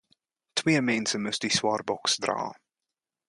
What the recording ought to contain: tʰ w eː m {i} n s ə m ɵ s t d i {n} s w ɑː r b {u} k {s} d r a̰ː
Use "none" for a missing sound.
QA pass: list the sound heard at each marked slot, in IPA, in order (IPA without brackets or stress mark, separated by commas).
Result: ɛ, none, ɔ, s